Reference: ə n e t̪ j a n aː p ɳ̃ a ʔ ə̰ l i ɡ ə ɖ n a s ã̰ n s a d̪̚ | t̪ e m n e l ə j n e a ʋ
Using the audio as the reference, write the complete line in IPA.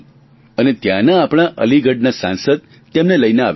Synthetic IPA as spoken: ə n e t̪ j a n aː p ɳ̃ a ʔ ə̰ l i ɡ ə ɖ n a s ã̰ n s ə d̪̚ | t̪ e m n e l ə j n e a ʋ